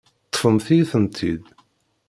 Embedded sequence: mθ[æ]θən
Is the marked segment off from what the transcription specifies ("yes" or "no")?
yes